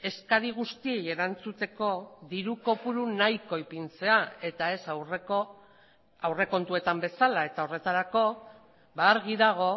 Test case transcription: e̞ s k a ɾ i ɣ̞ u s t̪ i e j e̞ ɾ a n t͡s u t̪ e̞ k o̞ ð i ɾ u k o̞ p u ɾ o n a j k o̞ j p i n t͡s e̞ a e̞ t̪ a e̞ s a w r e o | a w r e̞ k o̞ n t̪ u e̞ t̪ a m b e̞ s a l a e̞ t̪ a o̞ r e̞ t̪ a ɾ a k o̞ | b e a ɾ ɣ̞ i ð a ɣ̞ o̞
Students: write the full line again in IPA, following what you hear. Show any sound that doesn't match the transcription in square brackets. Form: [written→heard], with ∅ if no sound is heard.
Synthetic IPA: e̞ s k a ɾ i ɣ̞ u s t̪ i e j e̞ ɾ a n t͡s u t̪ e̞ k o̞ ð i ɾ u k o̞ p u ɾ [o→u] n a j k o̞ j p i n t͡s e̞ a e̞ t̪ a e̞ s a w r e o | a w r e̞ k o̞ n t̪ u e̞ t̪ a m b e̞ s a l a e̞ t̪ a o̞ r e̞ t̪ a ɾ a k o̞ | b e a ɾ ɣ̞ i ð a ɣ̞ o̞

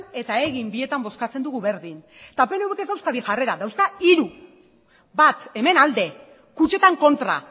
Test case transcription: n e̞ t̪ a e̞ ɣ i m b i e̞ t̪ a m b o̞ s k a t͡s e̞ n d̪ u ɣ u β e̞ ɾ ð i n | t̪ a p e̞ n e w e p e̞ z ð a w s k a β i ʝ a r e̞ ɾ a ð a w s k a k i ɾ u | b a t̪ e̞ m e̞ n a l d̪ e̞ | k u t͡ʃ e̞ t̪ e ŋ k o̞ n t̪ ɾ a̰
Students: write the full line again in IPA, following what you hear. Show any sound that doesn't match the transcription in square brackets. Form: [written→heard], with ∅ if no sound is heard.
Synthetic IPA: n e̞ t̪ a e̞ ɣ i m b i e̞ t̪ a m b o̞ s k a t͡s e̞ n d̪ u ɣ u β e̞ ɾ ð i n | t̪ a p e̞ n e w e [p→k] e̞ z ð a w s k a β i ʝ a r e̞ ɾ a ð a w s k a [k→∅] i ɾ u | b a t̪ e̞ m e̞ n a l d̪ e̞ | k u t͡ʃ e̞ t̪ [e→a] ŋ k o̞ n t̪ ɾ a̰

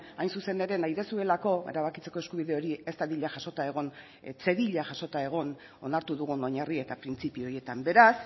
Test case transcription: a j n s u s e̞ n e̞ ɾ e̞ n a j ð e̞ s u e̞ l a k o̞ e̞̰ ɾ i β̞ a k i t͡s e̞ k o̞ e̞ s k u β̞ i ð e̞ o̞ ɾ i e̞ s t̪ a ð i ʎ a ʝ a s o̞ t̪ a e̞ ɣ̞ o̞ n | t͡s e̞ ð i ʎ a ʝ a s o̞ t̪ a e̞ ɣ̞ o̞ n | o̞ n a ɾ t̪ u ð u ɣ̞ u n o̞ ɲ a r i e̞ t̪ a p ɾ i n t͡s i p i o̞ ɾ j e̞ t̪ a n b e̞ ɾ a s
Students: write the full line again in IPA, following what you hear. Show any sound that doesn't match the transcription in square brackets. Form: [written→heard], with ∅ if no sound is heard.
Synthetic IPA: a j n s u s e̞ n e̞ ɾ e̞ n a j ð e̞ s u e̞ l a k o̞ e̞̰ ɾ [i→a] β̞ a k i t͡s e̞ k o̞ e̞ s k u β̞ i ð e̞ o̞ ɾ i e̞ s t̪ a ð i ʎ a ʝ a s o̞ t̪ a e̞ ɣ̞ o̞ n | t͡s e̞ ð i ʎ a ʝ a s o̞ t̪ a e̞ ɣ̞ o̞ n | o̞ n a ɾ t̪ u ð u ɣ̞ u n o̞ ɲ a r i e̞ t̪ a p ɾ i n t͡s i p i o̞ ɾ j e̞ t̪ a [n→m] b e̞ ɾ a s

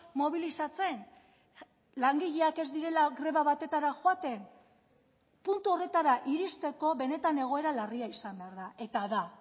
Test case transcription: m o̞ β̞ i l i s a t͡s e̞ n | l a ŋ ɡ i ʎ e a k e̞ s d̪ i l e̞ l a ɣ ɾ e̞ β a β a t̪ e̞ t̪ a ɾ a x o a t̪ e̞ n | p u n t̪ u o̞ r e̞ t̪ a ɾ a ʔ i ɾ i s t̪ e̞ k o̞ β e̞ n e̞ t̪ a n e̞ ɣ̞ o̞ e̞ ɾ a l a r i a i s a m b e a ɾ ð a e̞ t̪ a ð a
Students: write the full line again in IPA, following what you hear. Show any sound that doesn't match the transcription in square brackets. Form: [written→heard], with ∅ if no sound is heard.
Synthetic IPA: m o̞ β̞ i l i s a t͡s e̞ n | l a ŋ ɡ i ʎ e a k e̞ [s→z] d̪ i [l→ɾ] e̞ l a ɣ ɾ e̞ β a β a t̪ e̞ t̪ a ɾ a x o a t̪ e̞ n | p u n t̪ u o̞ r e̞ t̪ a ɾ a ʔ i ɾ i s t̪ e̞ k o̞ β e̞ n e̞ t̪ a n e̞ ɣ̞ o̞ e̞ ɾ a l a r i a i s a m b e a ɾ ð a e̞ t̪ a ð a

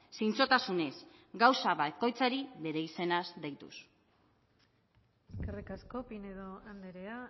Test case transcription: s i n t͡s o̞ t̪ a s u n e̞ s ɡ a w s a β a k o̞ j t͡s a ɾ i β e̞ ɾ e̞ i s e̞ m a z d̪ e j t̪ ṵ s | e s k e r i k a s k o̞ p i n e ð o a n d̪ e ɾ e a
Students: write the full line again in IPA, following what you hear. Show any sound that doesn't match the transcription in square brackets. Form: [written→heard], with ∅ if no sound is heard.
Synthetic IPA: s i n t͡s o̞ t̪ a s u n e̞ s ɡ a w s a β a k o̞ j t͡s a ɾ i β e̞ ɾ e̞ i s e̞ [m→n] a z d̪ e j t̪ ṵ s | e s k e r i k a s k o̞ p i n e ð o a n d̪ e ɾ e a

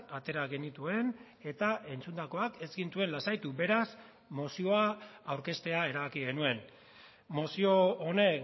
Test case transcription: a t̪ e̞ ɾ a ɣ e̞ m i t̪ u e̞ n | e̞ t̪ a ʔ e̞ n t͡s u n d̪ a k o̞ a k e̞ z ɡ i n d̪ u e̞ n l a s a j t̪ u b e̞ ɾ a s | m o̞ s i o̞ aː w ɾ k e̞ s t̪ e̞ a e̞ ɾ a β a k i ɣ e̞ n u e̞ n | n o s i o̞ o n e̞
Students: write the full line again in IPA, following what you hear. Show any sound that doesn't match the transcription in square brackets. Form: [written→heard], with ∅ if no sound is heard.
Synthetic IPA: a t̪ e̞ ɾ a ɣ e̞ [m→n] i t̪ u e̞ n | e̞ t̪ a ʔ e̞ n t͡s u n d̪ a k o̞ a k e̞ z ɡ i n [d̪→t̪] u e̞ n l a s a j t̪ u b e̞ ɾ a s | m o̞ s i o̞ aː w ɾ k e̞ s t̪ e̞ a e̞ ɾ a β a k i ɣ e̞ n u e̞ n | [n→m] o s i o̞ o n e̞

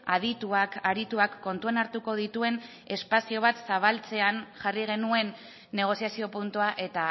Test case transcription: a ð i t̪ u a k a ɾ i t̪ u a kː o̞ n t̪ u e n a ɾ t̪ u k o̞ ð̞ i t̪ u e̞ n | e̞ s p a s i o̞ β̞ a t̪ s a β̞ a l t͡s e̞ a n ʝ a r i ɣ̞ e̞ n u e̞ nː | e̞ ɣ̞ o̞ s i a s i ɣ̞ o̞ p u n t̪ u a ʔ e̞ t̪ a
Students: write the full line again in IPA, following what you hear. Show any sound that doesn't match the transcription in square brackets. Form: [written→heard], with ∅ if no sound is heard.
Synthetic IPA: a ð i t̪ u a k a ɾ i t̪ u a kː o̞ n t̪ u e n a ɾ t̪ u k o̞ ð̞ i t̪ u e̞ n | e̞ s p a s i o̞ β̞ a t̪ s a β̞ a l t͡s e̞ a n ʝ a r i ɣ̞ e̞ n u e̞ nː | e̞ ɣ̞ o̞ s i a s i [ɣ̞→∅] o̞ p u n t̪ u a ʔ e̞ t̪ a

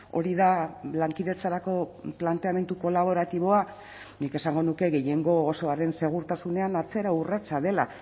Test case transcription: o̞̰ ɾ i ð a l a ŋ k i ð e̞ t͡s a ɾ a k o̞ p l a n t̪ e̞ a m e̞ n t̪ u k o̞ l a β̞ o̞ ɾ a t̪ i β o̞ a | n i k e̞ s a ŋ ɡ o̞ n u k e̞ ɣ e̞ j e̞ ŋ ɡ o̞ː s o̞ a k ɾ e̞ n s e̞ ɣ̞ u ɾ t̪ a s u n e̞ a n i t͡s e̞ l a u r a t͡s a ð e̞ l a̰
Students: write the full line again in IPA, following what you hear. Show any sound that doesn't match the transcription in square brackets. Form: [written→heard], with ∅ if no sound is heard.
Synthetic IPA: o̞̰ ɾ i ð a l a ŋ k i ð e̞ t͡s a ɾ a k o̞ p l a n t̪ e̞ a m e̞ n t̪ u k o̞ l a β̞ o̞ ɾ a t̪ i β o̞ a | n i k e̞ s a ŋ ɡ o̞ n u k e̞ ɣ e̞ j e̞ ŋ ɡ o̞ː s o̞ a [k→∅] ɾ e̞ n s e̞ ɣ̞ u ɾ t̪ a s u n e̞ a n [i→a] t͡s e̞ [l→ɾ] a u r a t͡s a ð e̞ l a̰

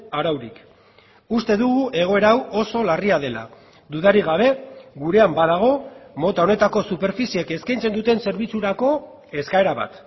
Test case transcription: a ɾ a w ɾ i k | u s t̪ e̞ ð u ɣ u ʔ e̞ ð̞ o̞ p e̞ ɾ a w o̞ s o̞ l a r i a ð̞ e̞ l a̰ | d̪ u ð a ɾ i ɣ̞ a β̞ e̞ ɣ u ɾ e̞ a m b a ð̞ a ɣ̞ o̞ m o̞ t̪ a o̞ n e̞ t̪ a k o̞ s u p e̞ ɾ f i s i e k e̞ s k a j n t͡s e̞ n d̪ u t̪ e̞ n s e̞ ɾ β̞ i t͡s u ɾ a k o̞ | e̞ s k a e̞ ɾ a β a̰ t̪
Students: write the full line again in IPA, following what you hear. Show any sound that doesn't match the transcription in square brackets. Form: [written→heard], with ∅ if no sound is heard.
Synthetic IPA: a ɾ a w ɾ i k | u s t̪ e̞ ð u ɣ u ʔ e̞ [ð̞→ɣ̞] o̞ [p→∅] e̞ ɾ a w o̞ s o̞ l a r i a ð̞ e̞ l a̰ | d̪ u ð a ɾ i ɣ̞ a β̞ e̞ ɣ u ɾ e̞ a m b a ð̞ a ɣ̞ o̞ m o̞ t̪ a o̞ n e̞ t̪ a k o̞ s u p e̞ ɾ f i s i e k e̞ s k a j n t͡s e̞ n d̪ u t̪ e̞ n s e̞ ɾ β̞ i t͡s u ɾ a k o̞ | e̞ s k a e̞ ɾ a β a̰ t̪

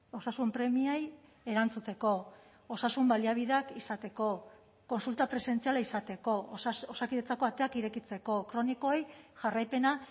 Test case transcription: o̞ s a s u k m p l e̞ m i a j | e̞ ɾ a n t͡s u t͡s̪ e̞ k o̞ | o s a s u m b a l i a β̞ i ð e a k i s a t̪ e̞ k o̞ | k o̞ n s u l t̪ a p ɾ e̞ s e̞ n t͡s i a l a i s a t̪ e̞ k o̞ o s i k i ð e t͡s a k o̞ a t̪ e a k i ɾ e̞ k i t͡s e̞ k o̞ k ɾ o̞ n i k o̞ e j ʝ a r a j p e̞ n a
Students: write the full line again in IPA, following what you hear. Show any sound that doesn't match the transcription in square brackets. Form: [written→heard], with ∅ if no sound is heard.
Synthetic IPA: o̞ s a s u [k→∅] m p [l→ɾ] e̞ m i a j | e̞ ɾ a n t͡s u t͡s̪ e̞ k o̞ | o s a s u m b a l i a β̞ i ð e a k i s a t̪ e̞ k o̞ | k o̞ n s u l t̪ a p ɾ e̞ s e̞ n t͡s i a l a i s a t̪ e̞ k o̞ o s [i→a] k i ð e t͡s a k o̞ a t̪ e a k i ɾ e̞ k i t͡s e̞ k o̞ k ɾ o̞ n i k o̞ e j ʝ a r a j p e̞ n a

